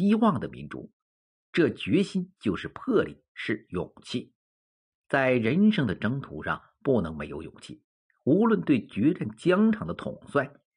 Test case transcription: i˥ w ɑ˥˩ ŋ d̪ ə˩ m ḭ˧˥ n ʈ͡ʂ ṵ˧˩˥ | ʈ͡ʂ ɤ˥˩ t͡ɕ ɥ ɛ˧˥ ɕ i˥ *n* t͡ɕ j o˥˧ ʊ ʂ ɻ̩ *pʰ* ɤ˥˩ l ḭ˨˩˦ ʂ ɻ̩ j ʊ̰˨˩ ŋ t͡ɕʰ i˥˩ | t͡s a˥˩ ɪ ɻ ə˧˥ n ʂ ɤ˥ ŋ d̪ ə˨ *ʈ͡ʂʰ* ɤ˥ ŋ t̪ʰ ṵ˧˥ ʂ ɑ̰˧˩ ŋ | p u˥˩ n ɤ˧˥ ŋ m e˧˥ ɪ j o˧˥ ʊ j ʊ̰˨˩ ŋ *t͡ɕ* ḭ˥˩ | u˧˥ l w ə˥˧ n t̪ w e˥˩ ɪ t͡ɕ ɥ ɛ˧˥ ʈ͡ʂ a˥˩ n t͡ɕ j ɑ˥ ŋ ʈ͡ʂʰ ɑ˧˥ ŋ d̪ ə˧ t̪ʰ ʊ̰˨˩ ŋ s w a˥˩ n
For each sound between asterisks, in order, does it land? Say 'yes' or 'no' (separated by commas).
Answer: yes, yes, no, no